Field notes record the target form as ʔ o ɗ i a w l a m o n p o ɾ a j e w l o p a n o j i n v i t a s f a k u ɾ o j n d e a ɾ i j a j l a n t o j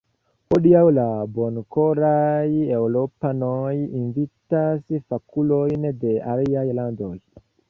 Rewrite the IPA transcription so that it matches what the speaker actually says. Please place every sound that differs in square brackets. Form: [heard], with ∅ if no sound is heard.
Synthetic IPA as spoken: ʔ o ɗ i a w l a [b] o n [k] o ɾ a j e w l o p a n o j i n v i t a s f a k u [l] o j n d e a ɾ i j a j l a n [d] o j